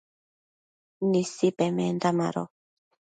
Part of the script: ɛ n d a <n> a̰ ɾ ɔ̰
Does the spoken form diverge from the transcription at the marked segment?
yes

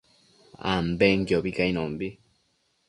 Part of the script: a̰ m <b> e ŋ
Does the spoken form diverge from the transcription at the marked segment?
no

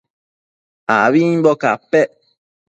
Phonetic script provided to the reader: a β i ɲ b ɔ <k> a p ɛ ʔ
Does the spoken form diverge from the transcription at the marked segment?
no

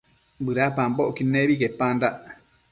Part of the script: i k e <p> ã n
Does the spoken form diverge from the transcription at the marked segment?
no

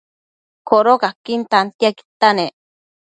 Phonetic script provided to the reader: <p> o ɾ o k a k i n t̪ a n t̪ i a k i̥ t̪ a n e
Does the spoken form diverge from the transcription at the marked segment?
yes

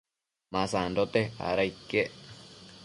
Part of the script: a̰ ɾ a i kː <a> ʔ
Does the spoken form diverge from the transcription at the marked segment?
yes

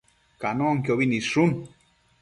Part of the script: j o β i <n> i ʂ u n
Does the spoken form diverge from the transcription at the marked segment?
no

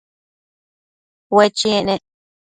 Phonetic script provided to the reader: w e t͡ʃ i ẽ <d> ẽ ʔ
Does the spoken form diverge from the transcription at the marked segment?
yes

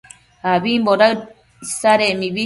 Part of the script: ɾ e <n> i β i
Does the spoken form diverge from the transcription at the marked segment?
yes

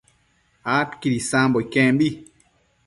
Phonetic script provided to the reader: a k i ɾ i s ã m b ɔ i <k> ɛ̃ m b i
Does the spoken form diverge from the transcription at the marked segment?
no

